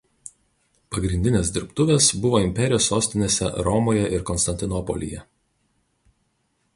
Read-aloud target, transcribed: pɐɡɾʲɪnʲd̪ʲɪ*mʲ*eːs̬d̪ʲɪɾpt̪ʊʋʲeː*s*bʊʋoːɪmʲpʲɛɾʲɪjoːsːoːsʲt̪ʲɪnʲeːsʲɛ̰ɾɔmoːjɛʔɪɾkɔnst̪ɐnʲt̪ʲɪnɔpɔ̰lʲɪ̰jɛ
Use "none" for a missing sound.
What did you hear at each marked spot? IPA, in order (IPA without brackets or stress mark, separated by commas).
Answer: nʲ, s